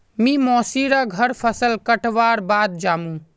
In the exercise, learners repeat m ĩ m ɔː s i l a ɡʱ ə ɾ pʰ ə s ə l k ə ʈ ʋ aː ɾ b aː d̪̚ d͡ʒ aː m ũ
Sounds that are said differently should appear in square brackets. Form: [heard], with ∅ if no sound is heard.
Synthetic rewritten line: m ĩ m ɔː s i [ɾ] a ɡʱ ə ɾ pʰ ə s ə l k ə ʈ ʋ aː ɾ b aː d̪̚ d͡ʒ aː m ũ